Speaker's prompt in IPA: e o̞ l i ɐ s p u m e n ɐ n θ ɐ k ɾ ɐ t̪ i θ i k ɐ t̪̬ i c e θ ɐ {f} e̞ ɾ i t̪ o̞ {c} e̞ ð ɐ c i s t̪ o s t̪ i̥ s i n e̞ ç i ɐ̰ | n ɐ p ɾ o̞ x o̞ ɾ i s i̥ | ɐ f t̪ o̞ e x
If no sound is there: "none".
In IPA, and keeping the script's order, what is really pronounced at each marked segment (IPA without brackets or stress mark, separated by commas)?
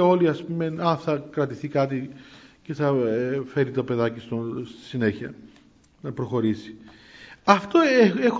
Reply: f, p